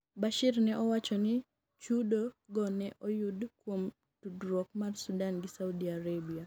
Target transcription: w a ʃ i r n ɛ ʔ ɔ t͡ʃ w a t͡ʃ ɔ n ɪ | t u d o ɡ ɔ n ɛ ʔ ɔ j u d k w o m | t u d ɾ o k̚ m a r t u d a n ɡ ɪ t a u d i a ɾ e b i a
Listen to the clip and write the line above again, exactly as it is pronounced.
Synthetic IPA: b a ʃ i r n ɛ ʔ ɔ w a t͡ʃ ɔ n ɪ | t͡ʃ u d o ɡ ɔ n ɛ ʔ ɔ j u d k w o m | t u d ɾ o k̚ m a r s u d a n ɡ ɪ s a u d i a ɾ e b i a